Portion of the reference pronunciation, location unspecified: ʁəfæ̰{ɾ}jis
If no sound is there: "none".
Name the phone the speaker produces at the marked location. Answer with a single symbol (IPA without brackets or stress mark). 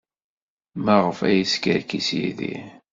none